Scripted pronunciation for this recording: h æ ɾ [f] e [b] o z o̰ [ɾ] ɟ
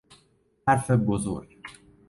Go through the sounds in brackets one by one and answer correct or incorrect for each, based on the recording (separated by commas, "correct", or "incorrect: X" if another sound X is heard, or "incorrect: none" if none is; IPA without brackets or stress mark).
correct, correct, correct